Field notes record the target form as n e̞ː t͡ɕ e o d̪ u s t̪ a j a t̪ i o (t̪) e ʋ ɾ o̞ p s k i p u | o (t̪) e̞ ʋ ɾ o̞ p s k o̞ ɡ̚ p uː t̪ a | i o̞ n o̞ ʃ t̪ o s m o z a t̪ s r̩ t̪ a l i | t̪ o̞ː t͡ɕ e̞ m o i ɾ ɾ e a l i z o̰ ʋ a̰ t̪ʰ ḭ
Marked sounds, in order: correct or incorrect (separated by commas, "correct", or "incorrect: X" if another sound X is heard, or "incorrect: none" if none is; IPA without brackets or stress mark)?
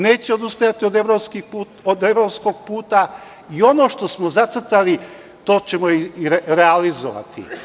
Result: incorrect: d̪, incorrect: d̪